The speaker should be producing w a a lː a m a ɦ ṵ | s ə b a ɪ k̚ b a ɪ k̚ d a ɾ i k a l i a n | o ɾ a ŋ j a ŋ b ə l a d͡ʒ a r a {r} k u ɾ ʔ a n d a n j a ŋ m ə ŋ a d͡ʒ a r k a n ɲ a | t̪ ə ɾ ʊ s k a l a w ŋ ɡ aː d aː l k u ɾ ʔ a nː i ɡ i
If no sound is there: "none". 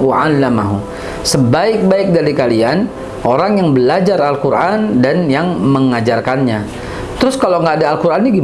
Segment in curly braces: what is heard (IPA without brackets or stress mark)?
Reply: l